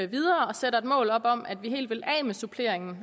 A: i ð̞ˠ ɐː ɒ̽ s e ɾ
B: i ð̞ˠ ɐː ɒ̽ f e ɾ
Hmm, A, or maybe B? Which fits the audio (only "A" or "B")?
A